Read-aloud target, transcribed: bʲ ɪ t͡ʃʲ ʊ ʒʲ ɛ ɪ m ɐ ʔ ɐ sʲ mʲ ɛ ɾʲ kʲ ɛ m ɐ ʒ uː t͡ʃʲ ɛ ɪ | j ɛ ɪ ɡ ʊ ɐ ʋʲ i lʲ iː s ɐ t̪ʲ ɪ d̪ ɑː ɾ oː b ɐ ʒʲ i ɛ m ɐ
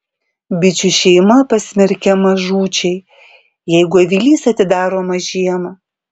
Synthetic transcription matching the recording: bʲ ɪ t͡ʃʲ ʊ ʃʲ ɛ ɪ m ɐ p ɐ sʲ mʲ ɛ ɾʲ kʲ ɛ m ɐ ʒ uː t͡ʃʲ ɛ ɪ | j ɛ ɪ ɡ ʊ ɐ ʋʲ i lʲ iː s ɐ t̪ʲ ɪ d̪ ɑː ɾ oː m ɐ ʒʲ i ɛ m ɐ